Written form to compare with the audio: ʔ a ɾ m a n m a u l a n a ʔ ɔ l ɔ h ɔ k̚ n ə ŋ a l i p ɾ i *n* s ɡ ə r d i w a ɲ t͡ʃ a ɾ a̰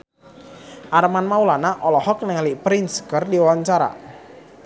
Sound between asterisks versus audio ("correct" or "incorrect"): correct